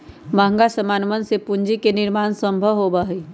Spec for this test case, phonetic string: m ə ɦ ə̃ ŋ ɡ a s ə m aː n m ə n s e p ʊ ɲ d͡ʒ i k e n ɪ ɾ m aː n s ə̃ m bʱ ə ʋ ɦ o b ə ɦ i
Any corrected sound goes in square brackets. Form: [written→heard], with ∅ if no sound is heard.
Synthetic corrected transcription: m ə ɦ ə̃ ŋ ɡ a s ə m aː n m ə n s e p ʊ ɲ d͡ʒ i k e n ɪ ɾ m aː n s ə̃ m bʱ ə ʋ ɦ o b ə ɦ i